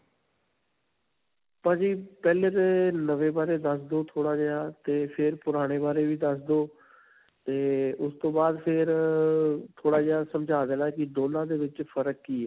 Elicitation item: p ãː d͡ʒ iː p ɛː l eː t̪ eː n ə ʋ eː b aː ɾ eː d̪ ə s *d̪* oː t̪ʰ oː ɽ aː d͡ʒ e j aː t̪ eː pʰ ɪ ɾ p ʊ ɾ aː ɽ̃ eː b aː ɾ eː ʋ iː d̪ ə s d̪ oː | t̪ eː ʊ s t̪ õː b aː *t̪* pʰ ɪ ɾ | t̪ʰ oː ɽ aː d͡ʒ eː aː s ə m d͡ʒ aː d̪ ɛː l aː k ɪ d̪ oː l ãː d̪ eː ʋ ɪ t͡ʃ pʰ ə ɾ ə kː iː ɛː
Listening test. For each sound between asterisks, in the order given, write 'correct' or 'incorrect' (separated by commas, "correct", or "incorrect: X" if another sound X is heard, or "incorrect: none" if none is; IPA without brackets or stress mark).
correct, incorrect: d̪